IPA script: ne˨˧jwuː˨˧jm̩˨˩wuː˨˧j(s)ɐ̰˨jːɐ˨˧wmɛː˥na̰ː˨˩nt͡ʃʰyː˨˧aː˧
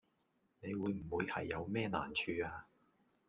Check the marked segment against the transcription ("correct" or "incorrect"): incorrect